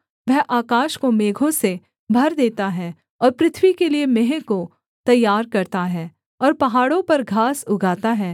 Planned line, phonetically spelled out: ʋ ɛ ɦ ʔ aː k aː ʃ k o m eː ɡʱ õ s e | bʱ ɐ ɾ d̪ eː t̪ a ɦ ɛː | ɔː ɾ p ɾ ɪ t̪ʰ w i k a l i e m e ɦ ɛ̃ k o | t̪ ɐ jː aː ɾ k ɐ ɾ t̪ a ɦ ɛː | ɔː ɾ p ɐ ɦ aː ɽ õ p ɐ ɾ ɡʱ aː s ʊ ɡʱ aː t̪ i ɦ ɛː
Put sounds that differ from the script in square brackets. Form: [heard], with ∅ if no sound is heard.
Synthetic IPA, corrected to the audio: ʋ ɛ ɦ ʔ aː k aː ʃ k o m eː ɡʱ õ s e | bʱ ɐ ɾ d̪ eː t̪ a ɦ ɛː | ɔː ɾ p ɾ ɪ t̪ʰ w i k [e] l i e m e ɦ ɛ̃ k o | t̪ ɐ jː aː ɾ k ɐ ɾ t̪ a ɦ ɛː | ɔː ɾ p ɐ ɦ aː ɽ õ p ɐ ɾ ɡʱ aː s ʊ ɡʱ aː t̪ [a] ɦ ɛː